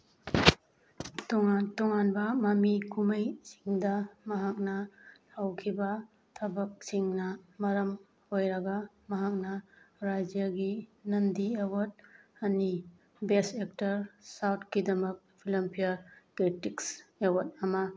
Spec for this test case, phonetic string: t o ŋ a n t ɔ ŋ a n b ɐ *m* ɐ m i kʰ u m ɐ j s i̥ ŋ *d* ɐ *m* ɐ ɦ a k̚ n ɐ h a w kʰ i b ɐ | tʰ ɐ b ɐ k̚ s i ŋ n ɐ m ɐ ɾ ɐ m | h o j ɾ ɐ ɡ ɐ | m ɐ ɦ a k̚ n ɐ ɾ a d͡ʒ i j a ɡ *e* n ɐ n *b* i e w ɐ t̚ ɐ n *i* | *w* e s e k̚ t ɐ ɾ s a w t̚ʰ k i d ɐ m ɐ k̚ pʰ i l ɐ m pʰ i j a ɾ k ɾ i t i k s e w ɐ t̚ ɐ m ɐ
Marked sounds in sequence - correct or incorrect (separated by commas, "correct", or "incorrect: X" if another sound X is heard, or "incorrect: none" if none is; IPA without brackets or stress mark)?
correct, correct, correct, incorrect: i, incorrect: d, correct, incorrect: b